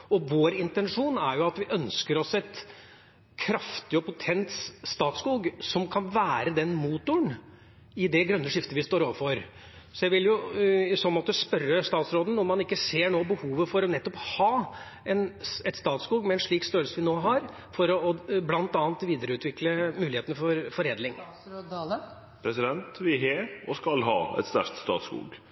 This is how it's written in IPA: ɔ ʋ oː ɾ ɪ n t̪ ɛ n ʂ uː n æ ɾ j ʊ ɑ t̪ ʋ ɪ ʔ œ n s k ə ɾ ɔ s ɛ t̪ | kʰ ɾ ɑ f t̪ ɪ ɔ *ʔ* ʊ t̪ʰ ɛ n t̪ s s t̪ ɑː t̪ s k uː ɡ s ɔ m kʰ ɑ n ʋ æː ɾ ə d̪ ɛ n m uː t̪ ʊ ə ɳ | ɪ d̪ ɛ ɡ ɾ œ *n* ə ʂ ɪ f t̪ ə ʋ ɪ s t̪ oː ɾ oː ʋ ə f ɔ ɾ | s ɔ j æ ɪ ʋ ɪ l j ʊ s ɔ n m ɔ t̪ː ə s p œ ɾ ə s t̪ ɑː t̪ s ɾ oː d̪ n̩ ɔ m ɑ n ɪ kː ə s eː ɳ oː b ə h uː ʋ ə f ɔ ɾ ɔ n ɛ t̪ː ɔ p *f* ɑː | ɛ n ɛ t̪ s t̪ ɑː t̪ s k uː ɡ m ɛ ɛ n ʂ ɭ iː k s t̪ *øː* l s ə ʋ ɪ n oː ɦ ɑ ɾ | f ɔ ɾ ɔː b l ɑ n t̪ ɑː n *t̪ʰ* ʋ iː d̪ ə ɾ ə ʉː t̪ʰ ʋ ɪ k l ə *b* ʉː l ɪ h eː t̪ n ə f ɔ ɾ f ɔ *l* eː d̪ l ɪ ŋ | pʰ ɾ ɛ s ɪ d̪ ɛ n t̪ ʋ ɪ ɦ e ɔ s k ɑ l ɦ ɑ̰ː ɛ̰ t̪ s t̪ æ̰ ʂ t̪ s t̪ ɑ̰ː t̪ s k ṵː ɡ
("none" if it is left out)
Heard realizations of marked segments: p, nː, h, øː, t̪, m, ɾ

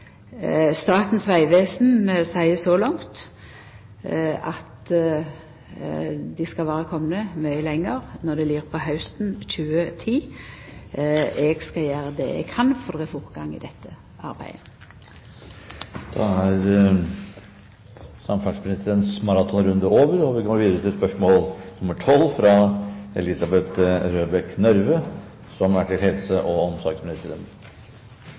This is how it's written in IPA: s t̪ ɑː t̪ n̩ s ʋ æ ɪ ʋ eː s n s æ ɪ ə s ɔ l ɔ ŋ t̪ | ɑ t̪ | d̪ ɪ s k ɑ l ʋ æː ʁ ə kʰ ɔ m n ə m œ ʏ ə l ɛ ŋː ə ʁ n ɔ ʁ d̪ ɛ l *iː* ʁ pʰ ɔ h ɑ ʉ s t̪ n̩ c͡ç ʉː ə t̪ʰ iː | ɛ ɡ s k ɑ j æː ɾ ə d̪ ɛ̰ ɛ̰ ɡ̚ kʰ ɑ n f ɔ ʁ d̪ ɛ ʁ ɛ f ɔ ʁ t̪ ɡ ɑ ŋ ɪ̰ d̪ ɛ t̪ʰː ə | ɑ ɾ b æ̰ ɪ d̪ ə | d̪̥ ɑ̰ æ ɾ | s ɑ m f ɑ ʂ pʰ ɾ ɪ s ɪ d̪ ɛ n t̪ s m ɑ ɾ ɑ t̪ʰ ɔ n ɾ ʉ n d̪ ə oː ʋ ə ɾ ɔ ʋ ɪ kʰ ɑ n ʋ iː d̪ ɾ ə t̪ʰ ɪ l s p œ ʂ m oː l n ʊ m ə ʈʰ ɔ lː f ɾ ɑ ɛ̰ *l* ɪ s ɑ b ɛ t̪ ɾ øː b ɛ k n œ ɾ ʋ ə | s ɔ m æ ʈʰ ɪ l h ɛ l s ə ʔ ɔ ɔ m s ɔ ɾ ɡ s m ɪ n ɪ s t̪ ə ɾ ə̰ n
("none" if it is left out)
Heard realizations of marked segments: iː, l

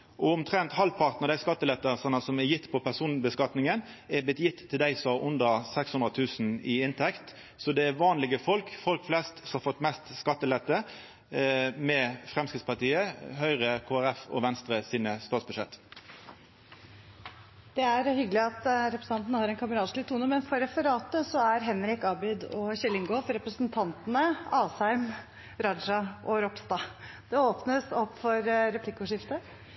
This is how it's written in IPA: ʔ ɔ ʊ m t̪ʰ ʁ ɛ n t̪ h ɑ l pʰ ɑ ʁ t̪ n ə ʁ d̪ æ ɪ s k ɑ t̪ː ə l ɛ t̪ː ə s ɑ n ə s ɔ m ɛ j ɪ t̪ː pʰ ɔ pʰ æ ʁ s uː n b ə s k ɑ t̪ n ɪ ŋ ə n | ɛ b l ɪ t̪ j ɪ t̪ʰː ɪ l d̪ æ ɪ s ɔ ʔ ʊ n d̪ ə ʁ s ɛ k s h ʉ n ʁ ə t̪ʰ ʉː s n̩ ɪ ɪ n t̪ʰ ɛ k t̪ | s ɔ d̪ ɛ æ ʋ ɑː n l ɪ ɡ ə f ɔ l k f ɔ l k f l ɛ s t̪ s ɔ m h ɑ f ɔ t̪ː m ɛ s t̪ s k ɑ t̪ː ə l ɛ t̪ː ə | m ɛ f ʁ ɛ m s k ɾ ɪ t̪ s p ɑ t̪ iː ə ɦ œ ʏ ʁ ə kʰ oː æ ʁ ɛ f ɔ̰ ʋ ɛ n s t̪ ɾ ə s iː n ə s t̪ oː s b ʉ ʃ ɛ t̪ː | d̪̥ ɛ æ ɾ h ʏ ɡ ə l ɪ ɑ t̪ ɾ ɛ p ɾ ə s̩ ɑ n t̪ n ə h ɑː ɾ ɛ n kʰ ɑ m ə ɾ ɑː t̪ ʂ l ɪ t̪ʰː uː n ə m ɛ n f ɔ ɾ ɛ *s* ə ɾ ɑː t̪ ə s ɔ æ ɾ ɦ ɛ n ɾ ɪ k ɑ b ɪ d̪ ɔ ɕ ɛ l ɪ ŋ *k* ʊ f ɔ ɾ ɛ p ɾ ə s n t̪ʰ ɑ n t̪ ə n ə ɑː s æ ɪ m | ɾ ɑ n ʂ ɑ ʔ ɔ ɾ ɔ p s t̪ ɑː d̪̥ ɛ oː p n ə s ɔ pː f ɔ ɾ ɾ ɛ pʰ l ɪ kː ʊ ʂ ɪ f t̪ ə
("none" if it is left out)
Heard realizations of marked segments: f, ɡ

